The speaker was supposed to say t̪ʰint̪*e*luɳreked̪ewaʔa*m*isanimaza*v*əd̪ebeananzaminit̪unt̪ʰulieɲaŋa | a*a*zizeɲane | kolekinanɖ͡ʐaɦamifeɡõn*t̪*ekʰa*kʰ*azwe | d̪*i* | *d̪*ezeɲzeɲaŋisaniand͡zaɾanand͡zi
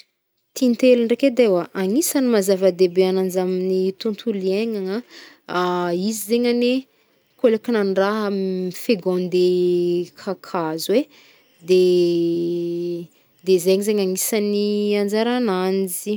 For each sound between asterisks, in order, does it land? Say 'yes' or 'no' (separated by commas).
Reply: yes, no, yes, no, no, yes, no, yes